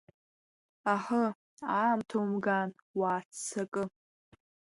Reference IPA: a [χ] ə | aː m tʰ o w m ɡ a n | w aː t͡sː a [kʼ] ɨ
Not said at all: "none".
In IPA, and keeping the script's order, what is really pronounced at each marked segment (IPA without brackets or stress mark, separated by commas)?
ħ, kʼ